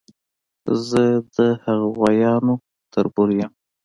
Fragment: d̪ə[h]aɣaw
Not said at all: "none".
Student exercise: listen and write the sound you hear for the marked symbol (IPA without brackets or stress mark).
h